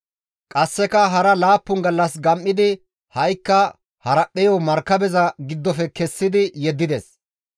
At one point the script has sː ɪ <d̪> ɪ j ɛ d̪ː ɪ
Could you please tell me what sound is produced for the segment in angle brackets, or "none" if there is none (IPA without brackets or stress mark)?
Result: d̪